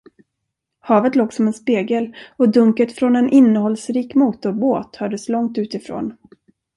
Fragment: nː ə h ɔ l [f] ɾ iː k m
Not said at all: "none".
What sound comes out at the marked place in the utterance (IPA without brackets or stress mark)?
s